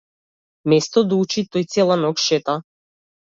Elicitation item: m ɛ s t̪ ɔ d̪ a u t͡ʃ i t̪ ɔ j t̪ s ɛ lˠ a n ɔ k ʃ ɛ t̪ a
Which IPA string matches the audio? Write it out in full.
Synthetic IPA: m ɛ s t̪ ɔ d̪ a u t͡ʃ i t̪ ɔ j t̪ s ɛ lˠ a n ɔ k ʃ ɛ t̪ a